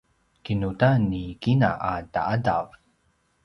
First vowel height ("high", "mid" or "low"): high